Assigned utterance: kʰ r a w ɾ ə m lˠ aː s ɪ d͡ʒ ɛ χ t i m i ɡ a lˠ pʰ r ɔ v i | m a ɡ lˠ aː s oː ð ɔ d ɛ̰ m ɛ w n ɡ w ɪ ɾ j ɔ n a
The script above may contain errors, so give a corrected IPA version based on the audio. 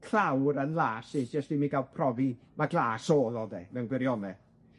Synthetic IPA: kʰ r a w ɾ ə n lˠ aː s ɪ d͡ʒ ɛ s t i m i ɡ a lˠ pʰ r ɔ v i | m a ɡ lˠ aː s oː ð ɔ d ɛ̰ m ɛ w n ɡ w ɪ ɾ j ɔ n ɛ